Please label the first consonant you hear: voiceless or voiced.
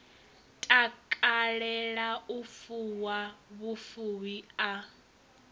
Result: voiceless